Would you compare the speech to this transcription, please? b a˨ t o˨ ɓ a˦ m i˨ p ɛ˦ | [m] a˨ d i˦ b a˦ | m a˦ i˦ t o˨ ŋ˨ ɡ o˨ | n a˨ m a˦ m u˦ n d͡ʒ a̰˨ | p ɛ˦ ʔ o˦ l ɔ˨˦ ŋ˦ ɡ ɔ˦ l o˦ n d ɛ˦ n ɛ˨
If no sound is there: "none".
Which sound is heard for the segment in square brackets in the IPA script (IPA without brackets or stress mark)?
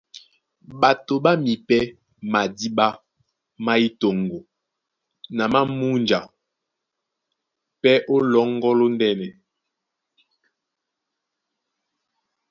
m